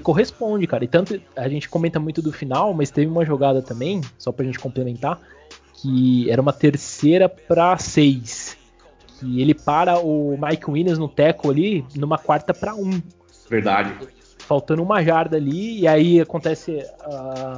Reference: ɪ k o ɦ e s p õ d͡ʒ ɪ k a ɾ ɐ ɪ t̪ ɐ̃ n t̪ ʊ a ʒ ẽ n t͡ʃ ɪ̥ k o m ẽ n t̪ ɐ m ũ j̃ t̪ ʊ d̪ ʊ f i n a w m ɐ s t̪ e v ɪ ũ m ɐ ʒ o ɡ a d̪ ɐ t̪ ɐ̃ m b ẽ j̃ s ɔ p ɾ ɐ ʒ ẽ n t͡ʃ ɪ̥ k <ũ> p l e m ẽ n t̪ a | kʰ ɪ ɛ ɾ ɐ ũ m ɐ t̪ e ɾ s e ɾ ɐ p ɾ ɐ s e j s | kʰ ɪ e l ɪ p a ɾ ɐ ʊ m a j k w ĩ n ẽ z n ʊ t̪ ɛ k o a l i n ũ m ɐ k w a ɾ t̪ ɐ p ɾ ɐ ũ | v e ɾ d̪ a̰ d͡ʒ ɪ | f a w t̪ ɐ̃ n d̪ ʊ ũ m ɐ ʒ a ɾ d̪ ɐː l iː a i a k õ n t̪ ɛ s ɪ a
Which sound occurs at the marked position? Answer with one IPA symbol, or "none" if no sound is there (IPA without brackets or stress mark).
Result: õ